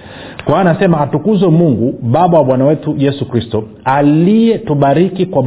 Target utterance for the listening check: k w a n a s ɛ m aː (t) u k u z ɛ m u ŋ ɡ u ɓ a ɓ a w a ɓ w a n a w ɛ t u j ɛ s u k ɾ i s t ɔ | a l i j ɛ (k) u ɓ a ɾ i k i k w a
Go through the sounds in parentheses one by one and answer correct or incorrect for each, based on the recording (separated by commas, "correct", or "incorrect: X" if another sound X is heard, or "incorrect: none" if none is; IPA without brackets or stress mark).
correct, incorrect: t